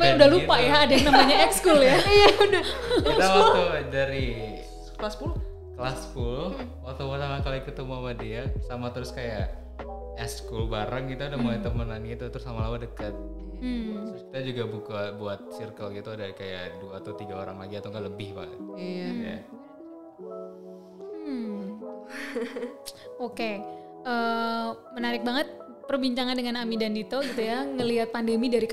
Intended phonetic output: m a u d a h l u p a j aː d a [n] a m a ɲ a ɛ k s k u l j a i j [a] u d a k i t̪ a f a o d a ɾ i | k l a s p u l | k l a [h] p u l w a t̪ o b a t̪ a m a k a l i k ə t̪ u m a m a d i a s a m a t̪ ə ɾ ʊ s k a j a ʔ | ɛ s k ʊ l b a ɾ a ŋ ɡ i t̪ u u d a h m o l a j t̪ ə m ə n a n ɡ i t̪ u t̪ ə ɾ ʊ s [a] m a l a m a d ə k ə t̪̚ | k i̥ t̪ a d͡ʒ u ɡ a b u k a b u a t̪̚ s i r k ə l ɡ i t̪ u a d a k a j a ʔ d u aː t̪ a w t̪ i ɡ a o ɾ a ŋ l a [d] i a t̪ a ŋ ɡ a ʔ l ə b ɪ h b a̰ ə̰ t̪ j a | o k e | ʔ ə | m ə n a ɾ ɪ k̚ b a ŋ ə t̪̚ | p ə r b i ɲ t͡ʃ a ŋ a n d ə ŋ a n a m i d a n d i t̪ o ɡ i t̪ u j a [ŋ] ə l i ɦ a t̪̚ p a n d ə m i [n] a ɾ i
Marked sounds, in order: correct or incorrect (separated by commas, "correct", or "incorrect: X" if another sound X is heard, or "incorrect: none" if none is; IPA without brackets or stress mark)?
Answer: correct, correct, incorrect: s, correct, incorrect: ɡ, correct, incorrect: d